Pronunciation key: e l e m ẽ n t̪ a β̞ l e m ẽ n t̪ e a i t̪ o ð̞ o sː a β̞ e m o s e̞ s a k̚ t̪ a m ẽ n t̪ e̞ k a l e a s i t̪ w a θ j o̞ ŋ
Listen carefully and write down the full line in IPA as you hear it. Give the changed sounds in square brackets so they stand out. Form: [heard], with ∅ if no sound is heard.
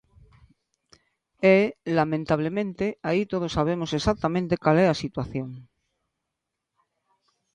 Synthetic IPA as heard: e l [a] m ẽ n t̪ a β̞ l e m ẽ n t̪ e a i t̪ o ð̞ o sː a β̞ e m o s e̞ s a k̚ t̪ a m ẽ n t̪ e̞ k a l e a s i t̪ w a θ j o̞ ŋ